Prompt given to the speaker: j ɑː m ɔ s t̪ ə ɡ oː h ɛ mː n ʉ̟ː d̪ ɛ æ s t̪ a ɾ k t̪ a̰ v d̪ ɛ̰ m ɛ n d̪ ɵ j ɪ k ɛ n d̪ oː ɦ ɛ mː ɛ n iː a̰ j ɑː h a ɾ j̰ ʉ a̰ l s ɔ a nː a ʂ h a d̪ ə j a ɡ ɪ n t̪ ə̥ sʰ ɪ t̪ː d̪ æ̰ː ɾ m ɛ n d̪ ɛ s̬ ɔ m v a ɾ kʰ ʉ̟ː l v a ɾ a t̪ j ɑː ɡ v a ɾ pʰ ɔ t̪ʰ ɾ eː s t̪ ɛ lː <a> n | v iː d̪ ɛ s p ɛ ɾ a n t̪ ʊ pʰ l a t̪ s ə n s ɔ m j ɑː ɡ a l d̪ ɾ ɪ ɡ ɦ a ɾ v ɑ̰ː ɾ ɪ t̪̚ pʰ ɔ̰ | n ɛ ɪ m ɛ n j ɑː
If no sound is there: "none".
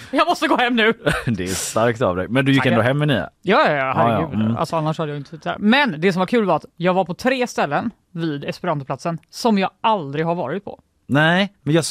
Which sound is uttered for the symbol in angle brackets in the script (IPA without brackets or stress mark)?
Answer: ə